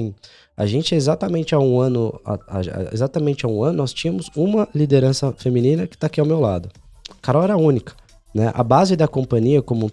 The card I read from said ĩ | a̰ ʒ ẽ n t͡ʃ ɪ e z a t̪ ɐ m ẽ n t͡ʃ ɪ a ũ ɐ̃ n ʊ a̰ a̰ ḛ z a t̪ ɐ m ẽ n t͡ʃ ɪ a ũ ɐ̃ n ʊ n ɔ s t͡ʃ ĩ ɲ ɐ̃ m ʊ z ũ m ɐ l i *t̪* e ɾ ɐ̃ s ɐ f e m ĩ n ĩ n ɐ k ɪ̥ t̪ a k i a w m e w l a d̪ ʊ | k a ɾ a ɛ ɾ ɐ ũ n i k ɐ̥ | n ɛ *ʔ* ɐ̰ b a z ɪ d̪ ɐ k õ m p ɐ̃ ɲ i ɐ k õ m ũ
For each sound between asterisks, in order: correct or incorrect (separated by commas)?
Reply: incorrect, correct